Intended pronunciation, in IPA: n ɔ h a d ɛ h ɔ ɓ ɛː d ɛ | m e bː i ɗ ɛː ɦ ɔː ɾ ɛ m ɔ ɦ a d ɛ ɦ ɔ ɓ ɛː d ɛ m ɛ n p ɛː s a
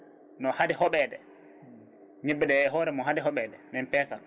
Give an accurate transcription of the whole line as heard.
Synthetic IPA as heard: n ɔ h a d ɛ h ɔ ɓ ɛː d ɛ | ɲ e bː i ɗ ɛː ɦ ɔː ɾ ɛ m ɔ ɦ a d ɛ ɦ ɔ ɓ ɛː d ɛ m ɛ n p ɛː s a